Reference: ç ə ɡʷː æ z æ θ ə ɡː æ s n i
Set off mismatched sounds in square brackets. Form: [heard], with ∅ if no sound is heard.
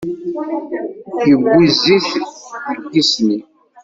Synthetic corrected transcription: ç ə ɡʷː [i] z [i] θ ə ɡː [i] s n i